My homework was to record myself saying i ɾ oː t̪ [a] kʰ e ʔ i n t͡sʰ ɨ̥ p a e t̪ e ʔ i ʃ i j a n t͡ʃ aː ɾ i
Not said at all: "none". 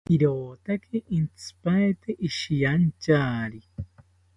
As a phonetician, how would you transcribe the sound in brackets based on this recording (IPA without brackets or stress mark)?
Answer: a